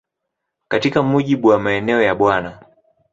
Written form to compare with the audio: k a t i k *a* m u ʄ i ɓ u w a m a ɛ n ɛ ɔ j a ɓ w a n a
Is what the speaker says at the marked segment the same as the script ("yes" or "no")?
yes